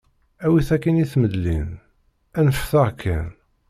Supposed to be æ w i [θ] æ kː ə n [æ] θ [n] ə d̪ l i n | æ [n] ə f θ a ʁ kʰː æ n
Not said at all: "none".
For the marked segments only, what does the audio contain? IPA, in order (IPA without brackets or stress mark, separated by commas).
θ, i, m, n